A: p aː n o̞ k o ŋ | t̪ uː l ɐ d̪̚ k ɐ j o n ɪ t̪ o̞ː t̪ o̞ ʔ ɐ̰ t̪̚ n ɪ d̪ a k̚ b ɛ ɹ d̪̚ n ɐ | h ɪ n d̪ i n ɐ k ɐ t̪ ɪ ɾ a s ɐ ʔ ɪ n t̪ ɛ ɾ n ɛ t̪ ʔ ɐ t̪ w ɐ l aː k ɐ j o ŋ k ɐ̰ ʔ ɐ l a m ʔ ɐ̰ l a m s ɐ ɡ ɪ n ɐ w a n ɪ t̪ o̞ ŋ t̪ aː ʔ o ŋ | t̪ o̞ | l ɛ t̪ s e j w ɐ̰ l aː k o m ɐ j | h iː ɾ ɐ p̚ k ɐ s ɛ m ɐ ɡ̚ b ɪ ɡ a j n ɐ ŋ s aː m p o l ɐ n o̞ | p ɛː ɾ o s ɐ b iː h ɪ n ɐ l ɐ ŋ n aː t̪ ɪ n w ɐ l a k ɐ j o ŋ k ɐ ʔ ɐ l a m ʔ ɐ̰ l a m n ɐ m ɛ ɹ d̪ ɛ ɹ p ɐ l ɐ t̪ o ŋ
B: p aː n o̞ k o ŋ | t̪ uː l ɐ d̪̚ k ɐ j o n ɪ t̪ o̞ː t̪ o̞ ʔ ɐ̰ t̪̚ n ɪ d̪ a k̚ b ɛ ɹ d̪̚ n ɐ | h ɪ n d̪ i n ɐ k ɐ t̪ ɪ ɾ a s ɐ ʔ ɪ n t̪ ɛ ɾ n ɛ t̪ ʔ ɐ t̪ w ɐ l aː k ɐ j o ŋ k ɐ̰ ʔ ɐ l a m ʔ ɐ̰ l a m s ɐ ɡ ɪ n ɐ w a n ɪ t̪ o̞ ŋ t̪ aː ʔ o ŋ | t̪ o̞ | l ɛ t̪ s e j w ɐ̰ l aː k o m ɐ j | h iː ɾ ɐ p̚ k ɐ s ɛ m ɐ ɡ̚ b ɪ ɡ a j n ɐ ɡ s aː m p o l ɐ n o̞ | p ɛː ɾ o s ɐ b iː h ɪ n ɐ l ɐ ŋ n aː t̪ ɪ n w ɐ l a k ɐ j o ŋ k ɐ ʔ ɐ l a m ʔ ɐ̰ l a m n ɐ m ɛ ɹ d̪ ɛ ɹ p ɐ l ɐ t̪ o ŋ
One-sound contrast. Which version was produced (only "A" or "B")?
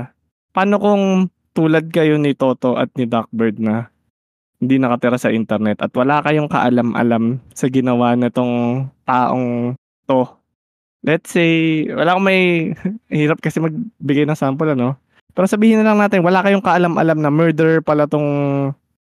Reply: A